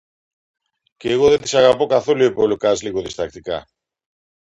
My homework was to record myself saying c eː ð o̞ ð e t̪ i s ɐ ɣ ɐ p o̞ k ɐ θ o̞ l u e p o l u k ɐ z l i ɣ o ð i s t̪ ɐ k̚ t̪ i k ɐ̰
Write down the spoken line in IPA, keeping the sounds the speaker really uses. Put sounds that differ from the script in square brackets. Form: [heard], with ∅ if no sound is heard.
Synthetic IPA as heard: c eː [ɣ] o̞ ð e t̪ i s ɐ ɣ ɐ p o̞ k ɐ θ o̞ l u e p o l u k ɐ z l i ɣ o ð i s t̪ ɐ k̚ t̪ i k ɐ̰